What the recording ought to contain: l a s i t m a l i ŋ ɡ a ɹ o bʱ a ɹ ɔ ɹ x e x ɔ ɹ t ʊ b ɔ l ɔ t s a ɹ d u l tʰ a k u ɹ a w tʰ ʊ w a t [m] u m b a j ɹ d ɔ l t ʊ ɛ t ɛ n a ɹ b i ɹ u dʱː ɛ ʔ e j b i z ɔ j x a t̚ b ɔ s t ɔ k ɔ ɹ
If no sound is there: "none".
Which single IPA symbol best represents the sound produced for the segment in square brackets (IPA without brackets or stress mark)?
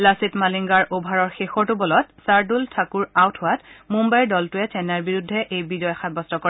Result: m